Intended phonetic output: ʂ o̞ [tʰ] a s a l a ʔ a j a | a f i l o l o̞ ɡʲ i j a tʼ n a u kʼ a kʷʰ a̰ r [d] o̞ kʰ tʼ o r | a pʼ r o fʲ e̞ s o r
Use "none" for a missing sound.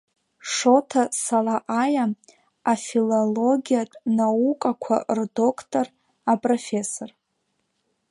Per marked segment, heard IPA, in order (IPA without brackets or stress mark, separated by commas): tʰ, d